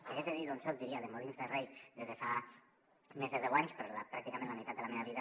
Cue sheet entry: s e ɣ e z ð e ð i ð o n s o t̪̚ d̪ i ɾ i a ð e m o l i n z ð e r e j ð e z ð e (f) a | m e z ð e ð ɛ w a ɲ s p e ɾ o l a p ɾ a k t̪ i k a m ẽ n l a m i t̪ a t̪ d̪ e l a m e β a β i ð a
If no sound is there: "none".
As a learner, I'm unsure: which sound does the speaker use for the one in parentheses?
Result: f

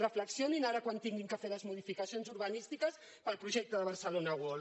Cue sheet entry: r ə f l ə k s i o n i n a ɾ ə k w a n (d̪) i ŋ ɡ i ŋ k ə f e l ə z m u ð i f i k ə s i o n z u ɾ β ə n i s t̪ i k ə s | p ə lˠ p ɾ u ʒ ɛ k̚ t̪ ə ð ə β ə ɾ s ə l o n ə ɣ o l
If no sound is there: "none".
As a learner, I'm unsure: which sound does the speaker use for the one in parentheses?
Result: t̪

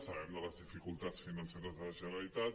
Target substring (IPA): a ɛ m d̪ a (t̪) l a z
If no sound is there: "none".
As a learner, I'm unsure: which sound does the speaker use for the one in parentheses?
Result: none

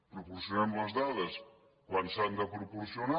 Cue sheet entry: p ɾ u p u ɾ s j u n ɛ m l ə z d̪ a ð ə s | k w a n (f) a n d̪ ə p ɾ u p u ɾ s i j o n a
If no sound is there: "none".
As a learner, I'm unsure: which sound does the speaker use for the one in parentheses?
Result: s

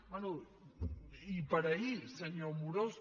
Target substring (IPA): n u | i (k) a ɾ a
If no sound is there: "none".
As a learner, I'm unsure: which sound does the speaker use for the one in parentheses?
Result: p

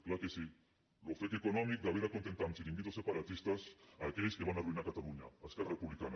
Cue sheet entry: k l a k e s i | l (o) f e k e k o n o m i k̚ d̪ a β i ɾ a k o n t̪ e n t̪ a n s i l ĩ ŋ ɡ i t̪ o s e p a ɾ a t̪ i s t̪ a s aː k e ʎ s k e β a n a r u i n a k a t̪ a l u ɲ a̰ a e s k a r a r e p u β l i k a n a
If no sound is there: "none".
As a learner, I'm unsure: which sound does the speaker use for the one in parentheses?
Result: o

